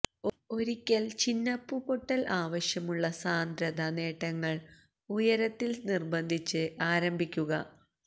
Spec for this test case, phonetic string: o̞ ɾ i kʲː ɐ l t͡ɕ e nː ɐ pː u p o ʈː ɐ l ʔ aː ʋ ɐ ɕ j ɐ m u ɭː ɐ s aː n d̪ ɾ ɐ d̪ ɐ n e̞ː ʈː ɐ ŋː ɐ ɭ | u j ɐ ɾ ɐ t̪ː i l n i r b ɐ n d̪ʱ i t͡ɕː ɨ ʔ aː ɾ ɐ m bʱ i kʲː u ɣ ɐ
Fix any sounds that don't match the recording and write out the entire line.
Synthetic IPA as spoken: o̞ ɾ i kʲː ɐ l t͡ɕ i nː ɐ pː u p o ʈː ɐ l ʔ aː ʋ ɐ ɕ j ɐ m u ɭː ɐ s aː n d̪ ɾ ɐ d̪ ɐ n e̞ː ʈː ɐ ŋː ɐ ɭ | u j ɐ ɾ ɐ t̪ː i l n i r b ɐ n d̪ʱ i t͡ɕː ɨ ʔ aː ɾ ɐ m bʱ i kʲː u ɣ ɐ

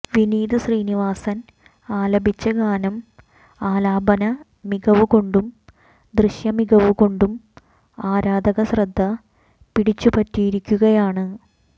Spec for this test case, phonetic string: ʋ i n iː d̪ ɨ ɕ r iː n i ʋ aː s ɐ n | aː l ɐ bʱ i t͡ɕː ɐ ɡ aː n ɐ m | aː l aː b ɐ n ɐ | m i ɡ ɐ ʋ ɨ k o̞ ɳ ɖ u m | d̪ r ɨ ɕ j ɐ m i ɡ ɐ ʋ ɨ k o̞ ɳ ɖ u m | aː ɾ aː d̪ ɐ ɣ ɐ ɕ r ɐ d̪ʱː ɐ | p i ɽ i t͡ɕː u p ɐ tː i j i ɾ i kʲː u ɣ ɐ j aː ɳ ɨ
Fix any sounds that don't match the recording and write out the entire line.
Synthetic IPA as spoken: ʋ i n iː d̪ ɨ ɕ r iː n i ʋ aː s ɐ n | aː l ɐ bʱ i t͡ɕː ɐ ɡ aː n ɐ m | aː l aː b ɐ n ɐ | m i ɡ ɐ ʋ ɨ k o̞ ɳ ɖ u m | d̪ r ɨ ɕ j ɐ m i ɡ ɐ ʋ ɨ k o̞ ɳ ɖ u m | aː ɾ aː d̪ ɐ ɣ ɐ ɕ r ɐ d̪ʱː ɐ | p i ɽ i t͡ɕː u p ɐ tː i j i ɾ i kʲː u ɣ ɐ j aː ɳ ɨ

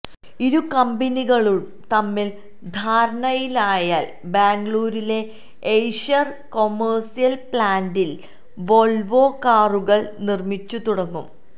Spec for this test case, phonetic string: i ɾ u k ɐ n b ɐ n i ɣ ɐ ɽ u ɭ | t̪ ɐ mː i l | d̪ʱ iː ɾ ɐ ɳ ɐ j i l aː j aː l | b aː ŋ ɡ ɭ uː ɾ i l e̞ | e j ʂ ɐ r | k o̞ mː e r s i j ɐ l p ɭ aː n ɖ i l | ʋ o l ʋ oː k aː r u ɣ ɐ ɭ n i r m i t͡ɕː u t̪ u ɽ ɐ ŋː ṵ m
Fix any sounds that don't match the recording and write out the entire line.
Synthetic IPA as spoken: i ɾ u k ɐ m b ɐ n i ɣ ɐ ɭ u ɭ | t̪ ɐ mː i l | d̪ʱ aː ɾ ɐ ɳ ɐ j i l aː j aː l | b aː ŋ ɡ ɭ uː ɾ i l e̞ | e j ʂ ɐ r | k o̞ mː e r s i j ɐ l p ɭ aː n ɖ i l | ʋ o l ʋ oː k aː r u ɣ ɐ ɭ n i r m i t͡ɕː u t̪ u ɽ ɐ ŋː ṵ m

